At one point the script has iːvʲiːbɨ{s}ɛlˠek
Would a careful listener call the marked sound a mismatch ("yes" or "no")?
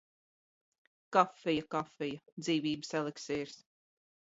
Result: no